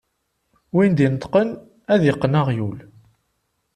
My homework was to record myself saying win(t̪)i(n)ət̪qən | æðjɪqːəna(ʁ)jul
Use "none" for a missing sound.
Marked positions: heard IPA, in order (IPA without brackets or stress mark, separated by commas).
d̪, n, ʁ